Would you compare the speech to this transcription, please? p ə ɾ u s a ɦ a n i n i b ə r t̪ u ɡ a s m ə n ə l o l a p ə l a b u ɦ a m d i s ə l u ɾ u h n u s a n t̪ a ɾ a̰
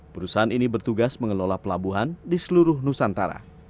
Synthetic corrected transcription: p ə ɾ u s a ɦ a n i n i b ə r t̪ u ɡ a s m ə ŋ ə l o l a p ə l a b u ɦ a n d i s ə l u ɾ ʊ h n u s a n t̪ a ɾ a̰